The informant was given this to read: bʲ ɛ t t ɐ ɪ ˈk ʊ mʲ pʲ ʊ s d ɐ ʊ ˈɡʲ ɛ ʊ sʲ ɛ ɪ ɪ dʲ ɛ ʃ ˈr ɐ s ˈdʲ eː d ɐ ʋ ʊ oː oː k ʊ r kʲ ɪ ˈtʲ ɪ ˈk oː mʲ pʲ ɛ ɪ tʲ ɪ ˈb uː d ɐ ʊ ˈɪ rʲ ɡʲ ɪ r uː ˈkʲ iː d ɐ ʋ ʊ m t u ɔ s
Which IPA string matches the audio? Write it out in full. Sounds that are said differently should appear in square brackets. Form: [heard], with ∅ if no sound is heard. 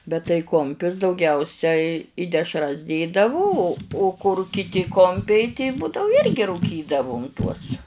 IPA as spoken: bʲ ɛ t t ɐ ɪ ˈk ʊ mʲ pʲ ʊ s d ɐ ʊ ˈɡʲ ɛ ʊ sʲ ɛ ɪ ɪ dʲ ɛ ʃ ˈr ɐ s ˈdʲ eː d ɐ ʋ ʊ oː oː k ʊ r kʲ ɪ ˈtʲ ɪ ˈk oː mʲ pʲ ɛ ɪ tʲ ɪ ˈb uː d ɐ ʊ ˈɪ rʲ ɡʲ ɪ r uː ˈkʲ iː d ɐ ʋ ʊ m t u ɔ s